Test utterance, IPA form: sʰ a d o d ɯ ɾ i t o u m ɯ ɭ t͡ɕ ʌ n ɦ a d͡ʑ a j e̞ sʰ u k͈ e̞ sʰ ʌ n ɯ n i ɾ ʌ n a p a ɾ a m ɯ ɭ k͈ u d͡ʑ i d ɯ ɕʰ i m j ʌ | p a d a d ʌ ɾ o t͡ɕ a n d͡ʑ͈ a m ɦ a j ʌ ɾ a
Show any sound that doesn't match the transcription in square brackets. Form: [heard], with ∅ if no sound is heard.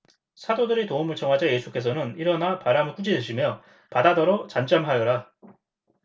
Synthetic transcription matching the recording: sʰ a d o d ɯ ɾ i t o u m ɯ ɭ t͡ɕ ʌ [ŋ] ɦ a d͡ʑ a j e̞ sʰ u k͈ e̞ sʰ ʌ n ɯ n i ɾ ʌ n a p a ɾ a m ɯ ɭ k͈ u d͡ʑ i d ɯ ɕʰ i m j ʌ | p a d a d ʌ ɾ o t͡ɕ a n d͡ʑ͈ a m ɦ a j ʌ ɾ a